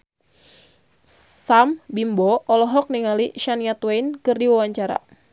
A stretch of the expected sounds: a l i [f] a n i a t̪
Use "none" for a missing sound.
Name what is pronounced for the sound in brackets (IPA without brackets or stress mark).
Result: ʃ